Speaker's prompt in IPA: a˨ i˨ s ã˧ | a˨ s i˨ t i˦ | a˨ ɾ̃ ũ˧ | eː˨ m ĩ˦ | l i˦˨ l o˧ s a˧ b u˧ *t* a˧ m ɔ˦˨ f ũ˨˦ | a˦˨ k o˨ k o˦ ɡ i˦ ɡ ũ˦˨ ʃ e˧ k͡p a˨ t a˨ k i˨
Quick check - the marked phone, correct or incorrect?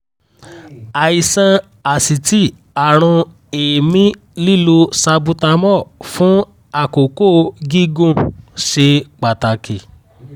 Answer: correct